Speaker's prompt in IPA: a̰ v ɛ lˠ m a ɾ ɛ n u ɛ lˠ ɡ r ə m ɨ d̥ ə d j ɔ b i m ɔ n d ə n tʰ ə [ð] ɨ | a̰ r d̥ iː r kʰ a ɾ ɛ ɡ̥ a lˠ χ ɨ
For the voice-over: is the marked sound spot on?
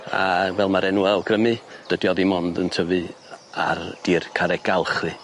no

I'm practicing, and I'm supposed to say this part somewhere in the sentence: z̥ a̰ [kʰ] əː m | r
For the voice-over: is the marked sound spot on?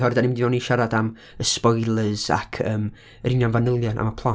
yes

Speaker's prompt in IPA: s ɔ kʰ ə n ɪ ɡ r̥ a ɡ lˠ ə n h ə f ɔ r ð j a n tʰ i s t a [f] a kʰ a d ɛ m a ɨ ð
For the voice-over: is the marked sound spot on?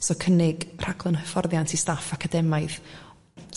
yes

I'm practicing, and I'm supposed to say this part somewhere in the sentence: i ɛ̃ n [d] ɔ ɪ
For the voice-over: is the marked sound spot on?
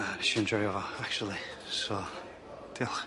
no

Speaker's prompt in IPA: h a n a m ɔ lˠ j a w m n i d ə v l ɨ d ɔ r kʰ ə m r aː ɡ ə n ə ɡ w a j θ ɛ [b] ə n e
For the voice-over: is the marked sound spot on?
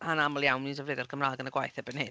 yes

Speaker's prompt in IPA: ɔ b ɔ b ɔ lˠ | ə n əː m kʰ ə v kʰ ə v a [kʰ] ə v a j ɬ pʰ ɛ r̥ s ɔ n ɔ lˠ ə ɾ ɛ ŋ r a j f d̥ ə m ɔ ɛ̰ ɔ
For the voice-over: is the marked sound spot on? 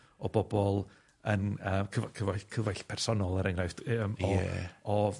yes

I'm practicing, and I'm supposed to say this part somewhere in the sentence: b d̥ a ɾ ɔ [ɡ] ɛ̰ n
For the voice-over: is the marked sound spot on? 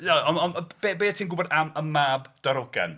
yes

